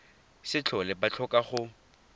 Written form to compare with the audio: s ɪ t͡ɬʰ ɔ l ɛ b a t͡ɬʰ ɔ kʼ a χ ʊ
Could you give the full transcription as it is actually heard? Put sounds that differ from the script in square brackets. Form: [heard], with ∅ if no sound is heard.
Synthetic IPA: s ɪ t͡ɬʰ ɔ l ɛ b a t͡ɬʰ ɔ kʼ a χ ʊ